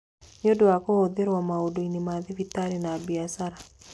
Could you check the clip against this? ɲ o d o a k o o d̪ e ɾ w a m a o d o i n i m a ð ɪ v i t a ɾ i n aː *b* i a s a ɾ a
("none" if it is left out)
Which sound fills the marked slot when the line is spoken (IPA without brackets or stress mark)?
b